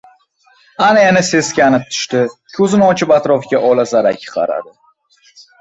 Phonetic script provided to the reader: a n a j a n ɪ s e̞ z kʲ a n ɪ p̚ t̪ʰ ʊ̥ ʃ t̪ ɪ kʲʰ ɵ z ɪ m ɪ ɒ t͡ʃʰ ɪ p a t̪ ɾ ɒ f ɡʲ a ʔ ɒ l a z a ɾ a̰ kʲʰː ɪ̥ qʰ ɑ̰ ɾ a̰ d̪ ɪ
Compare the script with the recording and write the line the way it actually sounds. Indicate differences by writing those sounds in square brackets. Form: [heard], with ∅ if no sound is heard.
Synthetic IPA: a n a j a n ɪ s e̞ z kʲ a n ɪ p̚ t̪ʰ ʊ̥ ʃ t̪ ɪ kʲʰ ɵ z ɪ [n] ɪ ɒ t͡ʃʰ ɪ p a t̪ ɾ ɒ f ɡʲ a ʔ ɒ l a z a ɾ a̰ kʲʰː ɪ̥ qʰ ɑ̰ ɾ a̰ d̪ ɪ